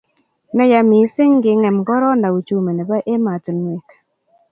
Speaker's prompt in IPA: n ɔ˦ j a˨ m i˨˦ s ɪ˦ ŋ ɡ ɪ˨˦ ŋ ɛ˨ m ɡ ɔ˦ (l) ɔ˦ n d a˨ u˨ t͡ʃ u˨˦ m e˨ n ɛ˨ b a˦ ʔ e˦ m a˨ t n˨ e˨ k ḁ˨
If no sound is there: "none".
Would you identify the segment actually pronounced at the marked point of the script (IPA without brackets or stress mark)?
ɾ